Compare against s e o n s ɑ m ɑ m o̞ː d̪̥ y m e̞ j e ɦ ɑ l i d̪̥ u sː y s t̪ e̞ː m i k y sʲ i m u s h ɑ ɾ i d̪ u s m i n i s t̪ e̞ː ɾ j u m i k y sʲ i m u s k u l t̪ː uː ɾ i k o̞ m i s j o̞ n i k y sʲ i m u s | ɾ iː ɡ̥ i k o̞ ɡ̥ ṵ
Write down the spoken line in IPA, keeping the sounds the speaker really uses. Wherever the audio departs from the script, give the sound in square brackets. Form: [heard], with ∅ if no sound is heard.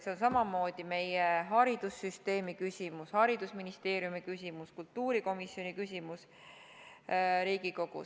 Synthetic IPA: s e o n s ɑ m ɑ m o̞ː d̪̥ [i] m e̞ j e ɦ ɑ [ɾ] i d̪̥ u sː y s t̪ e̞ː m i k y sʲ i m u s h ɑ ɾ i d̪ u s m i n i s t̪ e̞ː ɾ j u m i k y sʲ i m u s k u l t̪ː uː ɾ i k o̞ m i s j o̞ n i k y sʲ i m u s | ɾ iː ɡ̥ i k o̞ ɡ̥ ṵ